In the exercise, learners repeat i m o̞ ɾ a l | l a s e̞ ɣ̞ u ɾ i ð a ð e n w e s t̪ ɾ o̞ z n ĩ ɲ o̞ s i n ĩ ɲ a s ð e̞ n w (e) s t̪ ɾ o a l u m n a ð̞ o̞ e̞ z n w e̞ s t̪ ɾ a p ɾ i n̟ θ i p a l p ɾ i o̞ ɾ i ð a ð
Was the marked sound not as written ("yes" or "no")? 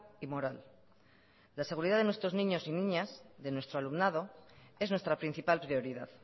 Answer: no